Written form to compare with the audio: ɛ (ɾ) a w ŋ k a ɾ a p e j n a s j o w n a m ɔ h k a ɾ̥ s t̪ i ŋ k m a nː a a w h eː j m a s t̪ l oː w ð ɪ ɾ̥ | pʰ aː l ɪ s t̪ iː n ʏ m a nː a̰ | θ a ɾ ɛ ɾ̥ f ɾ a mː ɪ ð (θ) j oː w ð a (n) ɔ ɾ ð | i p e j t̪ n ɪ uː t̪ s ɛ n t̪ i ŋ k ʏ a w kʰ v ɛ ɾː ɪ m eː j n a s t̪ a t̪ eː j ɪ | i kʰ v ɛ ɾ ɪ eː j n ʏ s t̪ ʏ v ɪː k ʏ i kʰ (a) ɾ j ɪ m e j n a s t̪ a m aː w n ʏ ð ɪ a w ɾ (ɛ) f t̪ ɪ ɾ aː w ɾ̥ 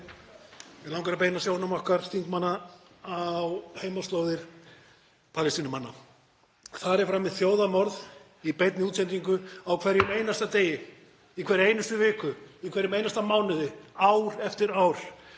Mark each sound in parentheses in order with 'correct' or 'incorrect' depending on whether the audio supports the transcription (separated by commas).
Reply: incorrect, correct, incorrect, incorrect, correct